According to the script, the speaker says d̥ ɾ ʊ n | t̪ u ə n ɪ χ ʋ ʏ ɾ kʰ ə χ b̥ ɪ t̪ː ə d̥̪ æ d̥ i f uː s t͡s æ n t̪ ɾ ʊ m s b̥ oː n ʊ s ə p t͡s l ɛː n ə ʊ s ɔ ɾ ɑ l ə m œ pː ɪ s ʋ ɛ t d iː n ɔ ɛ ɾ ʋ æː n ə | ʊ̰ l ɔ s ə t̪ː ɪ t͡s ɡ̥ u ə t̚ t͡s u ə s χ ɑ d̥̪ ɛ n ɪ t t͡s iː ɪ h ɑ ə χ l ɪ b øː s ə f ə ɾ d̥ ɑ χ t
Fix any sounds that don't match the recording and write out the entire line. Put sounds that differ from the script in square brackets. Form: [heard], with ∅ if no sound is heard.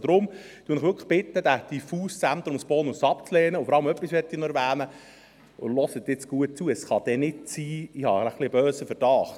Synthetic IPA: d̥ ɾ ʊ [m] | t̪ u ə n ɪ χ ʋ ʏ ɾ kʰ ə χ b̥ ɪ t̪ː ə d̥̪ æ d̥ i f uː s t͡s æ n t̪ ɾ ʊ m s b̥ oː n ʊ s [ɑ] p t͡s l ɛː n ə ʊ [f] ɔ ɾ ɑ l ə m œ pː [i] s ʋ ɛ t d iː n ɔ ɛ ɾ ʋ æː n ə | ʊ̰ l ɔ s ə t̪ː ɪ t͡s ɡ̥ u ə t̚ t͡s u ə s χ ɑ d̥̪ ɛ n ɪ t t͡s iː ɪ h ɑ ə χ l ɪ b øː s ə f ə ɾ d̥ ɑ χ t